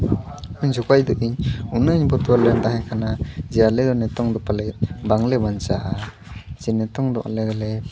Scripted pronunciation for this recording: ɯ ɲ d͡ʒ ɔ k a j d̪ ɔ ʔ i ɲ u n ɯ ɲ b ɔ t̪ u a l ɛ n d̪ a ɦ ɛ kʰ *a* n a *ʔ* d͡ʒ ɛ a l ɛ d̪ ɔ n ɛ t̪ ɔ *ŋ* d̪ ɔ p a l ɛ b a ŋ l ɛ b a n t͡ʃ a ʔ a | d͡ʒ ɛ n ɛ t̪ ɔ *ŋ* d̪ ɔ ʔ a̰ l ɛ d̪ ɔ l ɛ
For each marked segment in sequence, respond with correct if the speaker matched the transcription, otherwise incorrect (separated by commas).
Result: correct, incorrect, correct, correct